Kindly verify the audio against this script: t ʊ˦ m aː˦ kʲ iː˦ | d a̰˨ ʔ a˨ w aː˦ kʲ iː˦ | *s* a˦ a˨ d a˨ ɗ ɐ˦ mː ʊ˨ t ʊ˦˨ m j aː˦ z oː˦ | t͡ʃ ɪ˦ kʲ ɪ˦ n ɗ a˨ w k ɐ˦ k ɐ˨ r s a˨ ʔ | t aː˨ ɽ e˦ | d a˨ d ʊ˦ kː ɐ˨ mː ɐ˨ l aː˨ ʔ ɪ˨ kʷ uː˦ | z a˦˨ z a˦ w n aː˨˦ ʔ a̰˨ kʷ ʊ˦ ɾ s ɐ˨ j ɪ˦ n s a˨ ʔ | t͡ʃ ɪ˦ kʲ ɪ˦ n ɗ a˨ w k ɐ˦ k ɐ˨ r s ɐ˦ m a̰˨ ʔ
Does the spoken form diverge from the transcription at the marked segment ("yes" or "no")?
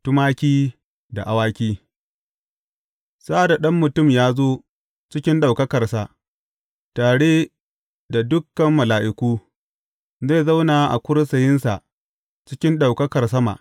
no